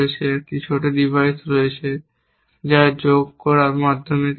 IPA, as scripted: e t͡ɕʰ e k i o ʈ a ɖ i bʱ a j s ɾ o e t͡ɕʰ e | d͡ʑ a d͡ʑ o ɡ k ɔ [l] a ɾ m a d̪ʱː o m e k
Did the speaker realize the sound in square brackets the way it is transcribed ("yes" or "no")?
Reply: no